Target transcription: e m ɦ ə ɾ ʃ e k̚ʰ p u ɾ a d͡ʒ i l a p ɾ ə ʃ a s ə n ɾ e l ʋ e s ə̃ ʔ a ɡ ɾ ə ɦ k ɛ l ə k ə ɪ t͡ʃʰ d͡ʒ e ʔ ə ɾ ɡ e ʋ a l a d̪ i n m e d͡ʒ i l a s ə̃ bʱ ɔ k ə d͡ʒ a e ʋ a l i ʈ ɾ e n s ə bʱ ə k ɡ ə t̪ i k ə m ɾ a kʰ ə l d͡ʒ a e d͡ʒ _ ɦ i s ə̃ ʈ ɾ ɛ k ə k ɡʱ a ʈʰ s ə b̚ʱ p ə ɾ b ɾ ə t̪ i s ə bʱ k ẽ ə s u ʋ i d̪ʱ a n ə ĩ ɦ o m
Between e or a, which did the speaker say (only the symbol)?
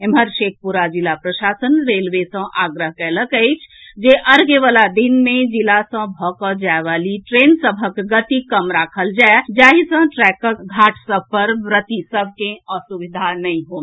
a